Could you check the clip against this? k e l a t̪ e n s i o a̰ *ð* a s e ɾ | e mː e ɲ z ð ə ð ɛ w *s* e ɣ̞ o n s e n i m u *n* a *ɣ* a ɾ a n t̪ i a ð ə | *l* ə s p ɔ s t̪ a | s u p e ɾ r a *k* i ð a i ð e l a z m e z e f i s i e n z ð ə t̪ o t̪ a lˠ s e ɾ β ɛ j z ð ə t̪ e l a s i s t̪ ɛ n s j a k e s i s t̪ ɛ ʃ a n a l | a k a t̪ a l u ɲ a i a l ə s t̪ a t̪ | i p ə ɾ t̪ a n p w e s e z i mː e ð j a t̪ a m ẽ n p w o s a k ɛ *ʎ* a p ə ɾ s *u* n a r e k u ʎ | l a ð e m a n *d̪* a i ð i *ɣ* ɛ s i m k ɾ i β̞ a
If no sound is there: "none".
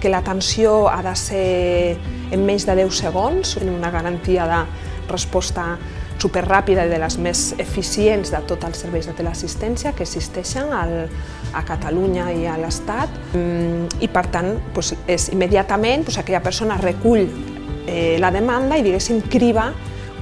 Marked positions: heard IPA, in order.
ð, s, n, ɣ, r, p, ʎ, o, d̪, ɣ

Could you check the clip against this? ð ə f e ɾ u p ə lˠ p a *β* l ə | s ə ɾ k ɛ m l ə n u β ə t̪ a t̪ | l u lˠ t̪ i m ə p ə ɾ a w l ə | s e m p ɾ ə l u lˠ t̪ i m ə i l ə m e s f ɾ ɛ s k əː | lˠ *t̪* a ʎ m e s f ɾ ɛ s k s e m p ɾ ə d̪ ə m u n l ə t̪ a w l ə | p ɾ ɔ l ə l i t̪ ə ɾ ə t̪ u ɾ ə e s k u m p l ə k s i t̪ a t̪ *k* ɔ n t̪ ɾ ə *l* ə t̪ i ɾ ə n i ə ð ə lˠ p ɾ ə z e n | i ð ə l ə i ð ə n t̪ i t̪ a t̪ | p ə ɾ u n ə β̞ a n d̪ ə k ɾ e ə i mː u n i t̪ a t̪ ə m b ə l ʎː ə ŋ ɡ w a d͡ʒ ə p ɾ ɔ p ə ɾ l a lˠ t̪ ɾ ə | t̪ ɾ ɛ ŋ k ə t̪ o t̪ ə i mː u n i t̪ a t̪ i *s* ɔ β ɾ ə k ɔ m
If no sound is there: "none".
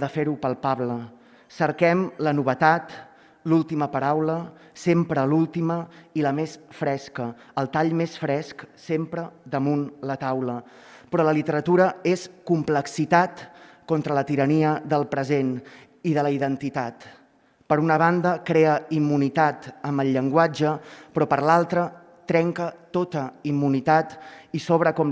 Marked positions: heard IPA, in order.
β, t̪, k, l, s

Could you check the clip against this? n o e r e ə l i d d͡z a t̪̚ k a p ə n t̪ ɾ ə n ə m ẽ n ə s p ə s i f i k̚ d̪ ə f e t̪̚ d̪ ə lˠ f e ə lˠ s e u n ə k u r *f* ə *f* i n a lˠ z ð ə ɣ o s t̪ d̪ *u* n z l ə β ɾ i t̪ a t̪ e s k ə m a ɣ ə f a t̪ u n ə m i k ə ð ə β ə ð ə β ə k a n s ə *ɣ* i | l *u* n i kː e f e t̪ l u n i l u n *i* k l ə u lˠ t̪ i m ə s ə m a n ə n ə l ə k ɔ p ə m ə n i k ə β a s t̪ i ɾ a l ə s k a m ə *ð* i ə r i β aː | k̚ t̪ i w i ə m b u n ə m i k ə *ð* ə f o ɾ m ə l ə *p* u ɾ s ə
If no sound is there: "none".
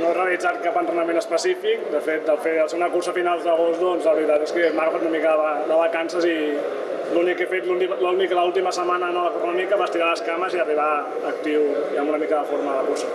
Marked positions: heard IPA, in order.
s, f, ɔ, z, u, i, z, ð, k

